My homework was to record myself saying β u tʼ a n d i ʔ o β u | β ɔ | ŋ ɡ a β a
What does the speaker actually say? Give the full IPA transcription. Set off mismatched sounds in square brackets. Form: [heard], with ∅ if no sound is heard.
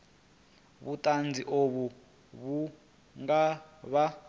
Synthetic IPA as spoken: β u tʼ a n [d͡z] i ʔ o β u | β [u] | ŋ ɡ a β a